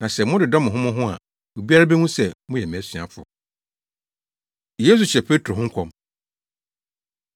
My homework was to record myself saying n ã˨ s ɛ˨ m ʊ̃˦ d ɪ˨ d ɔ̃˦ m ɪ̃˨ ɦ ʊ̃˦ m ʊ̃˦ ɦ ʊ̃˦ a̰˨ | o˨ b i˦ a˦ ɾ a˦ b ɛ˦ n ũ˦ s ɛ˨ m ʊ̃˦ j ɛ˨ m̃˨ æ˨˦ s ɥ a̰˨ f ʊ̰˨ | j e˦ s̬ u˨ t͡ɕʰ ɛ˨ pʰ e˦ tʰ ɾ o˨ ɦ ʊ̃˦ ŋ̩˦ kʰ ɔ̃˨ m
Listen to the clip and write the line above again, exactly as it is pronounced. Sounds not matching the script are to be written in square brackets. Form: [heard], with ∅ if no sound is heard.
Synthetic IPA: n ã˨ s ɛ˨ m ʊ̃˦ d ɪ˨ d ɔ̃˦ m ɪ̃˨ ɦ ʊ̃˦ m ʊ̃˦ ɦ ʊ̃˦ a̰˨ | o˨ b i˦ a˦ ɾ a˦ b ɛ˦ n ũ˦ s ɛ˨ m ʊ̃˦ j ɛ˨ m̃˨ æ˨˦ s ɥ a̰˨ f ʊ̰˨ | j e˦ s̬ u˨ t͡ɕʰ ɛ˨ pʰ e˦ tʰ ɾ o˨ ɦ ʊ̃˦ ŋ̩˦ kʰ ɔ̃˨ m